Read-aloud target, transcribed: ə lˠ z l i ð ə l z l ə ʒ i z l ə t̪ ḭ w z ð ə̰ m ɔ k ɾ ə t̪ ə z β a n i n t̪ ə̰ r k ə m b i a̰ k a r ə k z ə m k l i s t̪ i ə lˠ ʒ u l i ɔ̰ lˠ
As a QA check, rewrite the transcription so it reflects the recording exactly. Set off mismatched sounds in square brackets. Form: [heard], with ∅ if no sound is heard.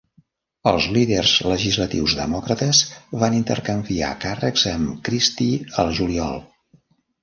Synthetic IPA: ə lˠ z l i ð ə [r] z l ə ʒ i z l ə t̪ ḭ w z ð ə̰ m ɔ k ɾ ə t̪ ə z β a n i n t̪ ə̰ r k ə m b i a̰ k a r ə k z ə m k [ɾ] i s t̪ i ə lˠ ʒ u l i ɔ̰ lˠ